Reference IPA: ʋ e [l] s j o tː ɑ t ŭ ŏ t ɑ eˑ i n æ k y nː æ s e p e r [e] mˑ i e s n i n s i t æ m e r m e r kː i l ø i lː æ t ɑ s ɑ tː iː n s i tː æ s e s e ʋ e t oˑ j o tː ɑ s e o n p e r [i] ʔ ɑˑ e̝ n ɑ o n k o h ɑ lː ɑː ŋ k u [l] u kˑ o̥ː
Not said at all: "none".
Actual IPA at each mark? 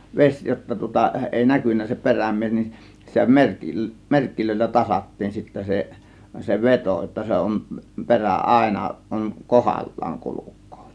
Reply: none, æ, æ, l

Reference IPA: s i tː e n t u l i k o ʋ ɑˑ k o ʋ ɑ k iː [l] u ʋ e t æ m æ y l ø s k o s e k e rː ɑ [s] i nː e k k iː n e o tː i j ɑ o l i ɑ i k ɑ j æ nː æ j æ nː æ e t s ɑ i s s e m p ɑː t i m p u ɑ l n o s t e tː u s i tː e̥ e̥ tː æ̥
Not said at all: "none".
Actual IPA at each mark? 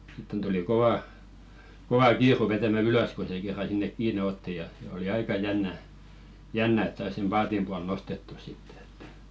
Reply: r, s

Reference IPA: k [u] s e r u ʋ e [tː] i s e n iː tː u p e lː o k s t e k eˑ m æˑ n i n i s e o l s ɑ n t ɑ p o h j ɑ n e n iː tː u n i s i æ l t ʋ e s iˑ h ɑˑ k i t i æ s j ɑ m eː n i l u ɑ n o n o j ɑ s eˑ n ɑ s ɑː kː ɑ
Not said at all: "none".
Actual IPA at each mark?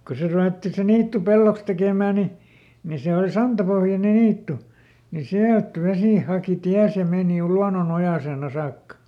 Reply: o, tː

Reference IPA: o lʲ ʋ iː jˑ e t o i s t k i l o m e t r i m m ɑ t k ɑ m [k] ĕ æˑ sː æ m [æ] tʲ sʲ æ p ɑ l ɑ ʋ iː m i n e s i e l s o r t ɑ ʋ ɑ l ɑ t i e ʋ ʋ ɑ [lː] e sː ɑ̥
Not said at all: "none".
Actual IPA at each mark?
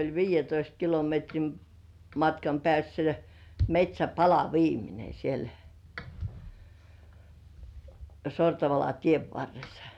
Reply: p, e, rː

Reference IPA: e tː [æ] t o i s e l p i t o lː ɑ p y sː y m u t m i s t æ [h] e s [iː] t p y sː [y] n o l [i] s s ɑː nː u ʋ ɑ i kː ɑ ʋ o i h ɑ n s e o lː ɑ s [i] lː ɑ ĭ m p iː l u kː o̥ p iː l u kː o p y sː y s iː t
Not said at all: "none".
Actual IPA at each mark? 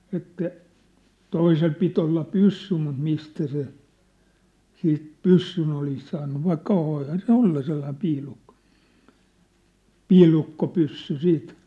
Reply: æ, s, iː, y, i, e

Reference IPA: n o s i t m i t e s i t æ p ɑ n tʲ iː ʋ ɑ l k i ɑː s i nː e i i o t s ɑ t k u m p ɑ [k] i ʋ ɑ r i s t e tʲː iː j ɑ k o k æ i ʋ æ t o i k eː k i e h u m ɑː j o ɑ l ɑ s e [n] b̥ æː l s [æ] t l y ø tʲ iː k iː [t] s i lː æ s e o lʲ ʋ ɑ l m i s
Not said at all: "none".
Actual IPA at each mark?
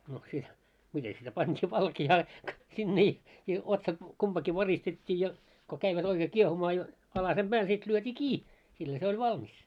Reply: k, m, i, none

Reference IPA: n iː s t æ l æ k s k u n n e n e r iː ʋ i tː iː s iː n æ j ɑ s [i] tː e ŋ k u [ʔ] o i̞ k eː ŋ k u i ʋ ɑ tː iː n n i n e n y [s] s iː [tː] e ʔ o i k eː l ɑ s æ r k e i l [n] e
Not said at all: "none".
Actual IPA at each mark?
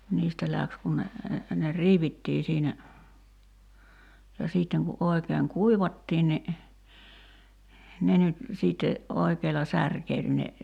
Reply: iː, ʔ, t, tː, n

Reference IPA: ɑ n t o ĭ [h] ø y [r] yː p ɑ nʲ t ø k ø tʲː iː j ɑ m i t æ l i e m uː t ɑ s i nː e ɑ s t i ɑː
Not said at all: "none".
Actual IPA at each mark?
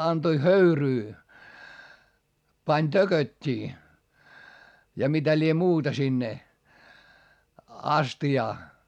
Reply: h, r

